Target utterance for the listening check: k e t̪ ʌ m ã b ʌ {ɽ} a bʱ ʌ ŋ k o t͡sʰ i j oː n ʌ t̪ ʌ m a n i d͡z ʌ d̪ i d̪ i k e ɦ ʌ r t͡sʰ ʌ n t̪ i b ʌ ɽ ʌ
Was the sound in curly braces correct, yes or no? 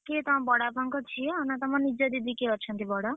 yes